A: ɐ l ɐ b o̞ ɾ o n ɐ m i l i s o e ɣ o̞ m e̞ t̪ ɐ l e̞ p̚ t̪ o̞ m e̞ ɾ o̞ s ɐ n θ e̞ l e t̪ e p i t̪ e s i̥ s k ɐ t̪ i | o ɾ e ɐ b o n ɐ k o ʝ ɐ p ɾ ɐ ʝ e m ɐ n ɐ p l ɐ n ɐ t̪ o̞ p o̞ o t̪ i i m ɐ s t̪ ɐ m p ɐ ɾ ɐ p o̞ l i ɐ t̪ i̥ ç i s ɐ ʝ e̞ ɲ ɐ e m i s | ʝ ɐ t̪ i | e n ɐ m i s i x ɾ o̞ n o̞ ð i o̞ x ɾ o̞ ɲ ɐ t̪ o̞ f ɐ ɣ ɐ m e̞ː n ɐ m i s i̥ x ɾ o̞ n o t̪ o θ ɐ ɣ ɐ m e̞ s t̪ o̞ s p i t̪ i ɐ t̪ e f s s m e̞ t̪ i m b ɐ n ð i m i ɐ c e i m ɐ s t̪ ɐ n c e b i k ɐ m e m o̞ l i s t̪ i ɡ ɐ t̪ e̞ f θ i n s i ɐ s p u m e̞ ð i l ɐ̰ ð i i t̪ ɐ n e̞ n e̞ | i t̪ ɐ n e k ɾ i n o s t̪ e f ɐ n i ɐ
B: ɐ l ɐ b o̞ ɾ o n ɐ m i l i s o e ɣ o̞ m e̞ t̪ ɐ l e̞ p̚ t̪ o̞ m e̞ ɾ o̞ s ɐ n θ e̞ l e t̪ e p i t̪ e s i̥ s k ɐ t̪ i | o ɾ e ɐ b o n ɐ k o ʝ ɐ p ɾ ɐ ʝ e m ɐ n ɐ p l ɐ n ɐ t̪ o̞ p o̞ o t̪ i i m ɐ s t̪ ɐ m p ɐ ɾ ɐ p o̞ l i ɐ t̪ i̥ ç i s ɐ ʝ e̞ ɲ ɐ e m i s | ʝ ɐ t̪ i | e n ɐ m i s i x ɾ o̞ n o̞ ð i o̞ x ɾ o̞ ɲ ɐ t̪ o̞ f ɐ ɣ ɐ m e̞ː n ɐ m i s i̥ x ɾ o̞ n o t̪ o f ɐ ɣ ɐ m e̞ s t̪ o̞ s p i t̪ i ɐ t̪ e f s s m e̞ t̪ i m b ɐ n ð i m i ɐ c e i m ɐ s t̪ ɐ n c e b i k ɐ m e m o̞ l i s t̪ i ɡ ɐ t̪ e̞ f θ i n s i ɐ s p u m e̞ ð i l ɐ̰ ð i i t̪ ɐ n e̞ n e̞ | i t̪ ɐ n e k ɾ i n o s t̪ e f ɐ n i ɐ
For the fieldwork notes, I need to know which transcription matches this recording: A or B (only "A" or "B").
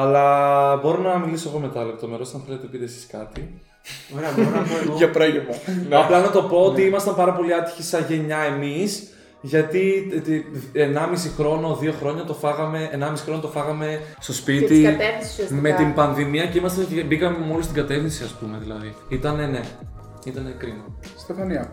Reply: B